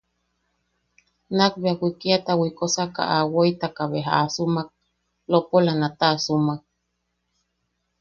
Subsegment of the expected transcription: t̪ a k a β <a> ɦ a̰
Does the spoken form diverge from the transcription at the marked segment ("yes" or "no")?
yes